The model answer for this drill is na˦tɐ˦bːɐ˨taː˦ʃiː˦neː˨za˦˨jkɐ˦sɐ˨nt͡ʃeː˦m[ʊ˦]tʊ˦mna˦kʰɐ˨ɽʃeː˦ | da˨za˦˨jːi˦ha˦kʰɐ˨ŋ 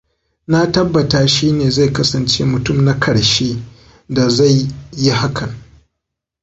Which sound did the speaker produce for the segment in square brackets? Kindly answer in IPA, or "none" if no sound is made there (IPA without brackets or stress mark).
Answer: ʊ˨